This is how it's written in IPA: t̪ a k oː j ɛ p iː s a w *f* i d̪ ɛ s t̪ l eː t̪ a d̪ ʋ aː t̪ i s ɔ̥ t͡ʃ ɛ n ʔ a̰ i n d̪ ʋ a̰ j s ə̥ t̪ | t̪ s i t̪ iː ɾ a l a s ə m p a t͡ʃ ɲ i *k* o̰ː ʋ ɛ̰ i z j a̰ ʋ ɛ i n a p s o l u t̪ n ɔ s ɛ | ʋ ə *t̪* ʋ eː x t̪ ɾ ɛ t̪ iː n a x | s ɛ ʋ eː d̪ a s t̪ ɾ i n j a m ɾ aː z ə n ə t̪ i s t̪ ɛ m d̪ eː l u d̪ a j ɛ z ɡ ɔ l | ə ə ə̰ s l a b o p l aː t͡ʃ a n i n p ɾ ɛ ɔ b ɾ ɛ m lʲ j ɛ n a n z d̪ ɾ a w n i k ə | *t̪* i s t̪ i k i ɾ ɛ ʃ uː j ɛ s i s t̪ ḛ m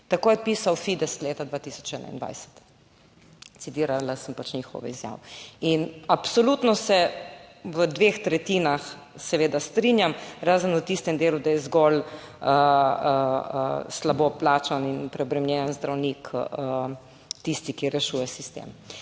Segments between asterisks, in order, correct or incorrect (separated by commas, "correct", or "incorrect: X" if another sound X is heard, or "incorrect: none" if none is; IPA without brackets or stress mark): correct, incorrect: x, incorrect: d̪, correct